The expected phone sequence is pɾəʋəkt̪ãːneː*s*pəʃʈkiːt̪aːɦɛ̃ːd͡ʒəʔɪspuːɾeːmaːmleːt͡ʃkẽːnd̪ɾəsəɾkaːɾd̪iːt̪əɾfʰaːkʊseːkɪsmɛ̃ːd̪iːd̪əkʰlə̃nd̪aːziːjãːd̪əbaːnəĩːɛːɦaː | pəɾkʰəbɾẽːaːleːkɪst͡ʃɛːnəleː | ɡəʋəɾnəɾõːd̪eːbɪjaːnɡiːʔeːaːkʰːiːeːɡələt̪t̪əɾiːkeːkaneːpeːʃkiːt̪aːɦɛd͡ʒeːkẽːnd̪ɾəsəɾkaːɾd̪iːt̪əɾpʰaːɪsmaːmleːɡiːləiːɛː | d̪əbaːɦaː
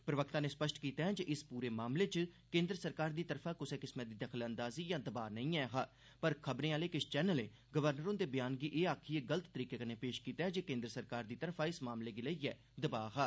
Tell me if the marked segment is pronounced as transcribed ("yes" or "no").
yes